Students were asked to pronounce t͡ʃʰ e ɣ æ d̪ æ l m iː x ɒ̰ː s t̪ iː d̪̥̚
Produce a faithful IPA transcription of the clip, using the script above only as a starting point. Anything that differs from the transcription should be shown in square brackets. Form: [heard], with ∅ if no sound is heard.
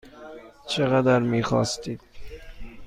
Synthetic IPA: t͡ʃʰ e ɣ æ d̪ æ [ɾ] m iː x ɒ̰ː s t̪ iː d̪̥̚